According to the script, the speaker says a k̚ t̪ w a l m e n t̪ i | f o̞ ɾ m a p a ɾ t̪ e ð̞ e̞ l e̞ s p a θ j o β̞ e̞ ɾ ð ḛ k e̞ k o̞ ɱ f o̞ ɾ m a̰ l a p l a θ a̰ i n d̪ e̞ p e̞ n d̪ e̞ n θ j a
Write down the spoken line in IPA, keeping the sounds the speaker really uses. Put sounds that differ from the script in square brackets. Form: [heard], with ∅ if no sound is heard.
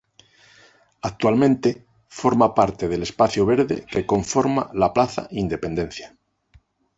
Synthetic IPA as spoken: a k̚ t̪ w a l m [ẽ] n t̪ [e] | f o̞ ɾ m a p a ɾ t̪ e ð̞ e̞ l e̞ s p a θ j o β̞ e̞ ɾ ð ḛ k e̞ k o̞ ɱ f o̞ ɾ m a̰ l a p l a θ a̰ i n d̪ e̞ p e̞ n d̪ e̞ n θ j a